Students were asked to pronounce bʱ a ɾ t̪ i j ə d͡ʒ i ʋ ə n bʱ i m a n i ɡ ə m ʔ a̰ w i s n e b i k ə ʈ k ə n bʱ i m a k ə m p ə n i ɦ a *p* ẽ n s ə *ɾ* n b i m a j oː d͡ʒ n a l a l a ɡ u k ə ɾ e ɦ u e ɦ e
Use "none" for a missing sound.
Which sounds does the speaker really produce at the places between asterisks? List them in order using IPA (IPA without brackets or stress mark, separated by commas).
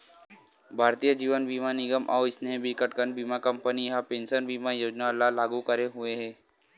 p, none